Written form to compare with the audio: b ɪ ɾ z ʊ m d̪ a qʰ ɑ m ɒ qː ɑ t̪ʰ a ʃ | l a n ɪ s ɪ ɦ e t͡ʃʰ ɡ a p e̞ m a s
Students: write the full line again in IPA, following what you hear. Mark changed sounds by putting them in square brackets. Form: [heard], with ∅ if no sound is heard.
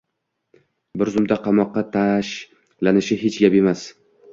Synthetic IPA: b ɪ ɾ z ʊ m d̪ a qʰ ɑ m ɒ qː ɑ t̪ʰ a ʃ | l a n ɪ [ʃ] ɪ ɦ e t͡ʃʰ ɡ a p e̞ m a s